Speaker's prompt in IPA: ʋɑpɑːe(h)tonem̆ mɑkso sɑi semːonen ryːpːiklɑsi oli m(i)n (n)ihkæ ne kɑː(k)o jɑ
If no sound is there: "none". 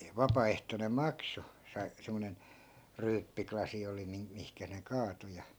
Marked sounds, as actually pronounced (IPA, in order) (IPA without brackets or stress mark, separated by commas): h, i, m, t